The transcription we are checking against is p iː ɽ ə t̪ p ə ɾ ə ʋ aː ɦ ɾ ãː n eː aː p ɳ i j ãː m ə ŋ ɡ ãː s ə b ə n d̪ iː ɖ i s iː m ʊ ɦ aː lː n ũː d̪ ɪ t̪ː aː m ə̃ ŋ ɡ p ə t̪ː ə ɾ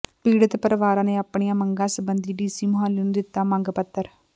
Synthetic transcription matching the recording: p iː ɽ ə t̪ p ə ɾ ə ʋ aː ɾ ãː n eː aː p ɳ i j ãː m ə ŋ ɡ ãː s ə b ə n d̪ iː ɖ iː s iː m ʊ ɦ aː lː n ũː d̪ ɪ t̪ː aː m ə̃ ŋ ɡ p ə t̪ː ə ɾ

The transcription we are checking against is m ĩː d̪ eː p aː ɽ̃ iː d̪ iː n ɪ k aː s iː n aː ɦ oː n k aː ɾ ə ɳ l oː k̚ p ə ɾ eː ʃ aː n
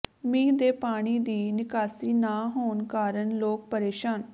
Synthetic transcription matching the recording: m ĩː d̪ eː p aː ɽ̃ iː d̪ iː n ɪ k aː s iː n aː ɦ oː n k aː ɾ ə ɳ l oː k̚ p ə ɾ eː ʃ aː n

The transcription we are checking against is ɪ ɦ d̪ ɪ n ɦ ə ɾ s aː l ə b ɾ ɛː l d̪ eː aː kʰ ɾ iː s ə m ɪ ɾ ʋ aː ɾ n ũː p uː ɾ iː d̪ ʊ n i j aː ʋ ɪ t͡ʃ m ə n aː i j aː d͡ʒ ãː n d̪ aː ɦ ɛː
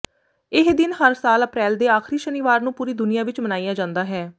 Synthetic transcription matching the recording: ɪ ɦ d̪ ɪ n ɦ ə ɾ s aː l ə p ɾ ɛː l d̪ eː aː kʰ ɾ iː ʃ ə n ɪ ʋ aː ɾ n ũː p uː ɾ iː d̪ ʊ n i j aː ʋ ɪ t͡ʃ m ə n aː i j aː d͡ʒ ãː n d̪ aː ɦ ɛː

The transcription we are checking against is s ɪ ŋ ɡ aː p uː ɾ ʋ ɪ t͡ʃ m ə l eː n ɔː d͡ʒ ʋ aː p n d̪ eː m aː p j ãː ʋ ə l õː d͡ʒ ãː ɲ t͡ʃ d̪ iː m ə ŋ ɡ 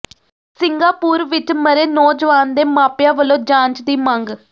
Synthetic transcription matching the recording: s ɪ ŋ ɡ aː p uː ɾ ʋ ɪ t͡ʃ m ə ɾ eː n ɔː d͡ʒ ʋ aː n d̪ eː m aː p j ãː ʋ ə l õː d͡ʒ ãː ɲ t͡ʃ d̪ iː m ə ŋ ɡ

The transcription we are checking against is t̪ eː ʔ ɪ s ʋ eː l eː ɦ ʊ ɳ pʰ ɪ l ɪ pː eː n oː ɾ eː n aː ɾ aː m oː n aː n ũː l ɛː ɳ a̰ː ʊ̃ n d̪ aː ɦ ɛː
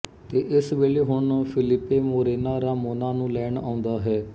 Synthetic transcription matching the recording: t̪ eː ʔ ɪ s ʋ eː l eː ɦ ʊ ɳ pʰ ɪ l ɪ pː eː m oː ɾ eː n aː ɾ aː m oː n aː n ũː l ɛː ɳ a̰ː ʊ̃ n d̪ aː ɦ ɛː

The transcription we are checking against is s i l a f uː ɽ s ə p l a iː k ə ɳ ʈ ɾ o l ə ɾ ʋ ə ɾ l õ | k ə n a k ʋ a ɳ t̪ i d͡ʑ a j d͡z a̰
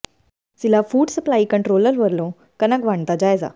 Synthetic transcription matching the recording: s i l a f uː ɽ s ə p l a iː k ə ɳ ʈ ɾ o l ə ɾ ʋ ə ɾ l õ | k ə n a k ʋ a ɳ t̪ a d͡ʑ a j d͡z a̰

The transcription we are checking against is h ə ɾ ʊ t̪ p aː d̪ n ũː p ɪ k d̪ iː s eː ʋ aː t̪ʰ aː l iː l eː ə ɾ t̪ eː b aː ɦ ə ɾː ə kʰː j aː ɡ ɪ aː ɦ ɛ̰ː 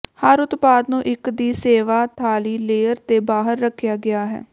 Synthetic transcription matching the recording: h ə ɾ ʊ t̪ p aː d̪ n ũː ʔ ɪ k d̪ iː s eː ʋ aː t̪ʰ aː l iː l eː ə ɾ t̪ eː b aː ɦ ə ɾː ə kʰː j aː ɡ ɪ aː ɦ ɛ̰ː

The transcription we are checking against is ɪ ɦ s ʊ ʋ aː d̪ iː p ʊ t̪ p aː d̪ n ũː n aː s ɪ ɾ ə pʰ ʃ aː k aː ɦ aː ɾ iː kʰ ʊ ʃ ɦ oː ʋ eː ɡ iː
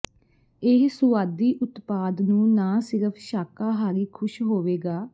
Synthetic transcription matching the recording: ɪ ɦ s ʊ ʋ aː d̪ iː ʔ ʊ t̪ p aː d̪ n ũː n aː s ɪ ɾ ə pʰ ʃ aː k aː ɦ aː ɾ iː kʰ ʊ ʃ ɦ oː ʋ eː ɡ aː

